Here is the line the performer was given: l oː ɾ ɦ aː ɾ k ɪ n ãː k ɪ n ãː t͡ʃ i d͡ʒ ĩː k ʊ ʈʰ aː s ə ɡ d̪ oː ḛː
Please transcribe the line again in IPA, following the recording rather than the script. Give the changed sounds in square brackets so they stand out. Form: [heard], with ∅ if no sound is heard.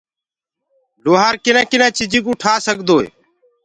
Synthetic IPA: l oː [∅] ɦ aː ɾ k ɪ n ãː k ɪ n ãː t͡ʃ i d͡ʒ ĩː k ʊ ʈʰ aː s ə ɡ d̪ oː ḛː